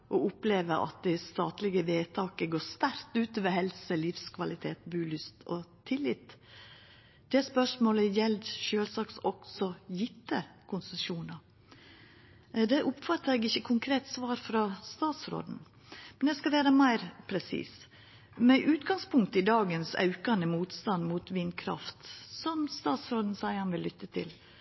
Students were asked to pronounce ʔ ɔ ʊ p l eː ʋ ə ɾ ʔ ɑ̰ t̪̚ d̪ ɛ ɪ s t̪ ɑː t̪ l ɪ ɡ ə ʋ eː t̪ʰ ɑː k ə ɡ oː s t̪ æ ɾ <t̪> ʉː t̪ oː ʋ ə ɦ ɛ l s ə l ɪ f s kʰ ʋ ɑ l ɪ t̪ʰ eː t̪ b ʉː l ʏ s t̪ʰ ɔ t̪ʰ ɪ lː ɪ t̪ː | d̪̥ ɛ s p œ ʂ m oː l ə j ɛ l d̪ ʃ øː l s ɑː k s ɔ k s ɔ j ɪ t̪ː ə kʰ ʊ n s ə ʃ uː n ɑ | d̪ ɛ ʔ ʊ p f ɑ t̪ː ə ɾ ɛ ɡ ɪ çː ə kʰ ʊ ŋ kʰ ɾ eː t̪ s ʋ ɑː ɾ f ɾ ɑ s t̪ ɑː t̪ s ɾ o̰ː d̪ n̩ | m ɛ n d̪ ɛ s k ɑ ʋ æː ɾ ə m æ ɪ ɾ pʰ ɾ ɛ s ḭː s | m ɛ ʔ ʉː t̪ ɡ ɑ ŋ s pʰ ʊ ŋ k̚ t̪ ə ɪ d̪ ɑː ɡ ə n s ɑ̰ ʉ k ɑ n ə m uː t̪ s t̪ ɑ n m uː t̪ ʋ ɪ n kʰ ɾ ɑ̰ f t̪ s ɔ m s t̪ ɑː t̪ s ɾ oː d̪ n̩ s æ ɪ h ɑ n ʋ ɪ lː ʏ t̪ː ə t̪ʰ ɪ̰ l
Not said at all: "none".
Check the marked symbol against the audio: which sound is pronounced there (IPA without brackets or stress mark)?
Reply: t̪